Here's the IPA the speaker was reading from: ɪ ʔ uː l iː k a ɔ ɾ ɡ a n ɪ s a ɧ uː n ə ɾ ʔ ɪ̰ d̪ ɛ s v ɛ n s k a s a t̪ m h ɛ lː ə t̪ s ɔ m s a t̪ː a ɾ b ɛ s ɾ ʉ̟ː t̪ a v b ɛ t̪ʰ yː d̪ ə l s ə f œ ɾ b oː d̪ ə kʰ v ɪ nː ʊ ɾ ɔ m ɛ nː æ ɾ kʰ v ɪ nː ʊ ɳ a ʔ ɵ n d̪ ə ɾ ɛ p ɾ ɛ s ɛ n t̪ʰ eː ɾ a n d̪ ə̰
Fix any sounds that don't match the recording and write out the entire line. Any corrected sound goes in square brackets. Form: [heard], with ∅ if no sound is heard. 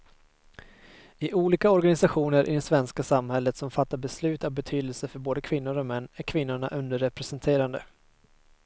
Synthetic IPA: ɪ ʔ uː l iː k a ɔ ɾ ɡ a n ɪ s a ɧ uː n ə ɾ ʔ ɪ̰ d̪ ɛ s v ɛ n s k a s a [∅] m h ɛ lː ə t̪ s ɔ m [f] a t̪ː a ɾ b ɛ s [l] ʉ̟ː t̪ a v b ɛ t̪ʰ yː d̪ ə l s ə f œ ɾ b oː d̪ ə kʰ v ɪ nː ʊ ɾ ɔ m ɛ nː æ ɾ kʰ v ɪ nː ʊ ɳ a ʔ ɵ n d̪ ə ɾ ɛ p ɾ ɛ s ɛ n t̪ʰ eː ɾ a n d̪ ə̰